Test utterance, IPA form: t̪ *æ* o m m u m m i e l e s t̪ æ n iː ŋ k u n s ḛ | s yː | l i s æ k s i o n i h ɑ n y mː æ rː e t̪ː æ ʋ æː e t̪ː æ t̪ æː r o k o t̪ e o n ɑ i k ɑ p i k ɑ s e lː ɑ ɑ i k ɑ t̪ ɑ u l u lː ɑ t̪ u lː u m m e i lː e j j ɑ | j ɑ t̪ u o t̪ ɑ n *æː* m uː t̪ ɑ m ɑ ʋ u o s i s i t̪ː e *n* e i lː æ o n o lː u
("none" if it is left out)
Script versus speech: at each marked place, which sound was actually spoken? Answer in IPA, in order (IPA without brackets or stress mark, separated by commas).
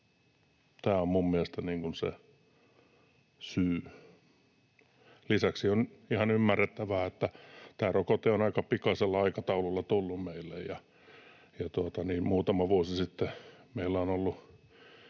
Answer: æː, iː, m